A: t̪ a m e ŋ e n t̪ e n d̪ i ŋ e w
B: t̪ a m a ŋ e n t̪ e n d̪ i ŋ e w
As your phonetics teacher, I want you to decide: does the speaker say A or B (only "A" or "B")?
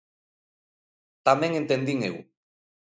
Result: A